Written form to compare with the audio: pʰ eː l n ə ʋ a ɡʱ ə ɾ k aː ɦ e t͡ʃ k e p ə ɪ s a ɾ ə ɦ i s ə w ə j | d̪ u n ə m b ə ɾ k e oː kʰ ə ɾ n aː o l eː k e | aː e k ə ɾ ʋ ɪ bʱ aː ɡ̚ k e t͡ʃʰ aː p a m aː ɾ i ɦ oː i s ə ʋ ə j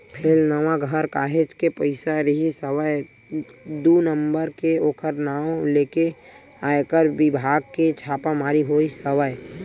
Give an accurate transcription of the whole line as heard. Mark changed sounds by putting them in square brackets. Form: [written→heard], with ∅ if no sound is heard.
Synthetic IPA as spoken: pʰ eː l n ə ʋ a ɡʱ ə ɾ k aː ɦ e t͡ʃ k e p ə ɪ s a ɾ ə ɦ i s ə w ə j | d̪ u n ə m b ə ɾ k e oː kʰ ə ɾ n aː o l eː k e | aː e k ə ɾ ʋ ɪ bʱ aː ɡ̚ k e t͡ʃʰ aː p a m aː ɾ i ɦ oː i s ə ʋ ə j